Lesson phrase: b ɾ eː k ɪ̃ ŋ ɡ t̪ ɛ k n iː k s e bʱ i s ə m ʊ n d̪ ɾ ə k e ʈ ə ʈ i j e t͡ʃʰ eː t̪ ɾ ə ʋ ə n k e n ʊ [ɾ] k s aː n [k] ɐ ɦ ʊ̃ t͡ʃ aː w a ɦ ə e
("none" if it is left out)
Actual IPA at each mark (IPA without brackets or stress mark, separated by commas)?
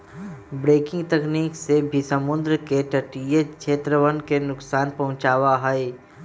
none, p